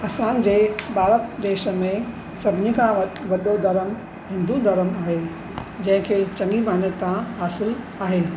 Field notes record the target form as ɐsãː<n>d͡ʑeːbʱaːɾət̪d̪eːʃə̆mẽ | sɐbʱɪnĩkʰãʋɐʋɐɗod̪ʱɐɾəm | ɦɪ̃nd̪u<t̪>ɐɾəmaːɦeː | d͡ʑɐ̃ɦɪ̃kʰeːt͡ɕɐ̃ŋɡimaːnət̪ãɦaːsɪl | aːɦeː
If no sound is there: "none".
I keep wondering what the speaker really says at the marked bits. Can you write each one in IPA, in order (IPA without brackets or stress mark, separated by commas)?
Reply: n, d̪